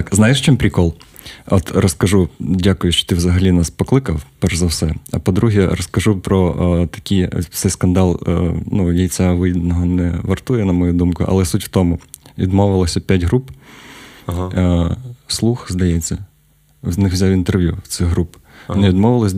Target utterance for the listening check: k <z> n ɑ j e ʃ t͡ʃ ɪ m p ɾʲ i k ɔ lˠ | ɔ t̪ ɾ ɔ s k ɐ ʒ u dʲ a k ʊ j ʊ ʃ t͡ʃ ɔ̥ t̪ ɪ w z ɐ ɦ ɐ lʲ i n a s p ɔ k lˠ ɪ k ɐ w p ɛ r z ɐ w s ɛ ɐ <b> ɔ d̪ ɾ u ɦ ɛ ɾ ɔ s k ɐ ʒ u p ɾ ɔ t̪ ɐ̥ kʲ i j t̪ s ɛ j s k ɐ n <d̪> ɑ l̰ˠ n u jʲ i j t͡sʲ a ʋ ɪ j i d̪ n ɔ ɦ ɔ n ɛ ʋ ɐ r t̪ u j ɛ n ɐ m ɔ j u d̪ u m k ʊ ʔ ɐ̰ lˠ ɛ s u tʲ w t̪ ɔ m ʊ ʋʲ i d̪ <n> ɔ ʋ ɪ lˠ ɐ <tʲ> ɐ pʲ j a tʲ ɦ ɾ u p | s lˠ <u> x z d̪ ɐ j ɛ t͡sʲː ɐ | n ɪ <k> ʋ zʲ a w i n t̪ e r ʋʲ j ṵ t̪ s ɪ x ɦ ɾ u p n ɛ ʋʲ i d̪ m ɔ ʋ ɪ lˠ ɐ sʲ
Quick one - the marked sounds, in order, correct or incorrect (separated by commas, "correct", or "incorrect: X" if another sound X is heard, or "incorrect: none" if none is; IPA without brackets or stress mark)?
correct, incorrect: p, correct, incorrect: m, incorrect: sʲ, correct, incorrect: x